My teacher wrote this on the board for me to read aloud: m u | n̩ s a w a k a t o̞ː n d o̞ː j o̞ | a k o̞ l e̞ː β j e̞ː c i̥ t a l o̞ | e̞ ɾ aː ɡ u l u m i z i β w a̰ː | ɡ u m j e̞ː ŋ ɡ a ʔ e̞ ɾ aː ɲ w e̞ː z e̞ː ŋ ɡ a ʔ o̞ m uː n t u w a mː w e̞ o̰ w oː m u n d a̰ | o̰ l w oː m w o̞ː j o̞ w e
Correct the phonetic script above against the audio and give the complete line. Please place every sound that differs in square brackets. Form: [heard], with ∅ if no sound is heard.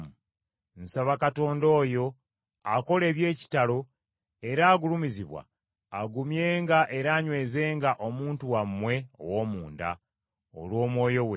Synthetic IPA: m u | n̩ s a [β] a k a t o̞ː n d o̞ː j o̞ | a k o̞ l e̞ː β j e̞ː c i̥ t a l o̞ | e̞ ɾ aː ɡ u l u m i z i β w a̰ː | ɡ u m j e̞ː ŋ ɡ a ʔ e̞ ɾ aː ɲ w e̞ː z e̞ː ŋ ɡ a ʔ o̞ m uː n t u w a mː w e̞ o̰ w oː m [uː] n d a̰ | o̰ l w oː m w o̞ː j o̞ w e